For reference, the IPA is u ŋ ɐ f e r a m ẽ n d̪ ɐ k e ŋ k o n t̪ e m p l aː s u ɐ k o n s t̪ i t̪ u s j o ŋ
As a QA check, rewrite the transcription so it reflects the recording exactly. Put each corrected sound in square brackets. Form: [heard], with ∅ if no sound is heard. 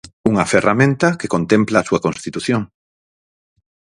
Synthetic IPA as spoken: u ŋ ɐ f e r a m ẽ n [t̪] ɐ k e [∅] k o n t̪ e m p l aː s u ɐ k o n s t̪ i t̪ u [θ] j o ŋ

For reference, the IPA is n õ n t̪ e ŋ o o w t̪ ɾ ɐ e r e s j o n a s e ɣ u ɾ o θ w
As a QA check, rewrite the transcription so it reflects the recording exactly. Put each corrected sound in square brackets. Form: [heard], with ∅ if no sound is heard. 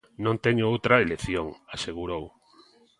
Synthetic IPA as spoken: n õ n t̪ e [ɲ] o o w t̪ ɾ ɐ e [l] e [θ] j o [ŋ] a s e ɣ u ɾ o [∅] w

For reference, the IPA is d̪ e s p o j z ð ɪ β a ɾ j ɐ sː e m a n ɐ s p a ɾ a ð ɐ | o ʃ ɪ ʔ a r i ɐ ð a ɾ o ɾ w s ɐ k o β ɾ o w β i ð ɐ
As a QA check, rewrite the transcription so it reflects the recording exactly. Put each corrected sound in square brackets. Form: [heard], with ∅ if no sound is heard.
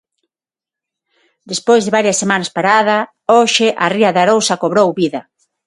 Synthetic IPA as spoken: d̪ e s p o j z ð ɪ β a ɾ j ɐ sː e m a n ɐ s p a ɾ a ð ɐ | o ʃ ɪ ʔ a r i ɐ ð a ɾ o [∅] w s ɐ k o β ɾ o w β i ð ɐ

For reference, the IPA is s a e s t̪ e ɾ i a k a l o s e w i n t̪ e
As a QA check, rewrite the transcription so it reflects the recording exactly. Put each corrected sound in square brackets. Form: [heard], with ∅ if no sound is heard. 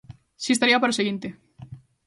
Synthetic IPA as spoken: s [i] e s t̪ [a] ɾ i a [p] a [ɾ] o s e [ɣ] i n t̪ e

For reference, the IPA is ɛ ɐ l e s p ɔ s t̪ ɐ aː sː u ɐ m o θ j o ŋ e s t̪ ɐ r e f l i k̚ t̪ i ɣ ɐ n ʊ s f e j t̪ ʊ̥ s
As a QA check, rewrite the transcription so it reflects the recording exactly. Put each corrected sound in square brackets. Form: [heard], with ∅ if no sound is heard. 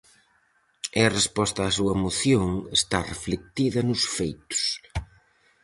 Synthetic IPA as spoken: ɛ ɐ [r] e s p ɔ s t̪ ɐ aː [s] u ɐ m o θ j o ŋ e s t̪ [a] r e f l [e] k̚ t̪ i [ð] ɐ n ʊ s f e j t̪ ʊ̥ s

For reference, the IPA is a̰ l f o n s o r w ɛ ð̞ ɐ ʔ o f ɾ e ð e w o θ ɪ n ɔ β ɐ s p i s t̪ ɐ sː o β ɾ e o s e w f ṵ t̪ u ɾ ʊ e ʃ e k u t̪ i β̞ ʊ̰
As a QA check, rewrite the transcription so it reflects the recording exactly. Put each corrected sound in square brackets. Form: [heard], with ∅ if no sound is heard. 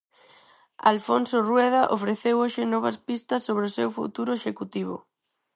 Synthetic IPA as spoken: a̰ l f o n s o r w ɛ ð̞ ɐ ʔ o f ɾ e [θ] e w o [ʃ] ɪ n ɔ β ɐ s p i s t̪ ɐ sː o β ɾ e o s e w f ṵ t̪ u ɾ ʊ e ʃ e k u t̪ i β̞ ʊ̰

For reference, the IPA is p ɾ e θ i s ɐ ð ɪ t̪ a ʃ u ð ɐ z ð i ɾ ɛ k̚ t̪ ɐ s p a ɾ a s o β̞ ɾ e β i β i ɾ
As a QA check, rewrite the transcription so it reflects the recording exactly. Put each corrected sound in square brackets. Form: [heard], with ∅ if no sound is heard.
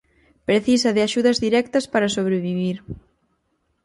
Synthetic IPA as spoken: p ɾ e θ i s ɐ ð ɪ [∅] a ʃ u ð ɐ z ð i ɾ ɛ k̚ t̪ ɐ s p a ɾ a s o β̞ ɾ e β i β i ɾ

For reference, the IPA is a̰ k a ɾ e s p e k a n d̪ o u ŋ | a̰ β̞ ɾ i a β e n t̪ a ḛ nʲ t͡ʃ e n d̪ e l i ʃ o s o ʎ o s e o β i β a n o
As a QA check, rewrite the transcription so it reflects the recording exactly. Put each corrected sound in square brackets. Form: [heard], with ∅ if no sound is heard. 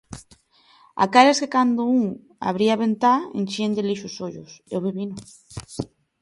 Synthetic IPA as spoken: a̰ k a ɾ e s [k] e k a n d̪ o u ŋ | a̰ β̞ ɾ i a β e n t̪ a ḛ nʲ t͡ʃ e n d̪ e l i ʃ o s o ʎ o s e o β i β [i] n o

